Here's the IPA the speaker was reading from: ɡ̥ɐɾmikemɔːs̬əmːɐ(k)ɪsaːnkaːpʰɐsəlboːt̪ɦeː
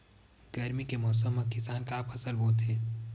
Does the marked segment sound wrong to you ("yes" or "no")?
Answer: no